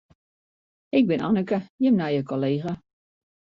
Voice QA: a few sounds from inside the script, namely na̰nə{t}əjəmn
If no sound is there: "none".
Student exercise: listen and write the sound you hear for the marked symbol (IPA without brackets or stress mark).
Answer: k